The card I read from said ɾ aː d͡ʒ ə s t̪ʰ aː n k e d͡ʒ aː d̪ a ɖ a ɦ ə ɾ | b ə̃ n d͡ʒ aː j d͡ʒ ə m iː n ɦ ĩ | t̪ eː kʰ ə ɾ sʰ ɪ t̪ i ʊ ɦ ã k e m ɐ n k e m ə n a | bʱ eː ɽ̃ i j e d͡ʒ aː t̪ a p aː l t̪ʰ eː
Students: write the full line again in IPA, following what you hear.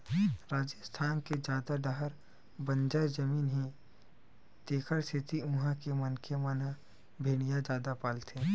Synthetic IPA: ɾ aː d͡ʒ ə s t̪ʰ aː n k e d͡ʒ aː d̪ a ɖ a ɦ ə ɾ | b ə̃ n d͡ʒ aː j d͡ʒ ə m iː n ɦ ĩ | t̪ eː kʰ ə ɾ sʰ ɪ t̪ i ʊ ɦ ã k e m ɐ n k e m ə n a | bʱ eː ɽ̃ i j a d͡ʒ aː d̪ a p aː l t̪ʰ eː